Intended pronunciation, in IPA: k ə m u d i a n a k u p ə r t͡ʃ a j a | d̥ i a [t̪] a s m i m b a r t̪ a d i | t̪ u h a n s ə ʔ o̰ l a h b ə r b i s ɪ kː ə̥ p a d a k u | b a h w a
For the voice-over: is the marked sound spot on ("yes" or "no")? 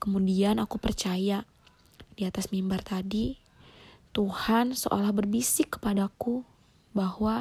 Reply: yes